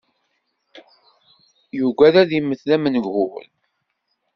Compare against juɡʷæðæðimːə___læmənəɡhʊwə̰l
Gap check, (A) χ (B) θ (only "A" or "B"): B